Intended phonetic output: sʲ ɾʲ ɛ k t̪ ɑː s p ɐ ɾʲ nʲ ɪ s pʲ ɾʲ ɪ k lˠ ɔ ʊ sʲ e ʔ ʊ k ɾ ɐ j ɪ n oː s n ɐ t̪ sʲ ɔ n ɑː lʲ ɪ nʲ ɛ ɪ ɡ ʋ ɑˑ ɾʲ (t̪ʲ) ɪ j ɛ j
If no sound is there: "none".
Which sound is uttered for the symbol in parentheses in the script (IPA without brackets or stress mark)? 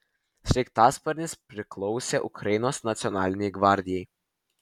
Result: d̪ʲ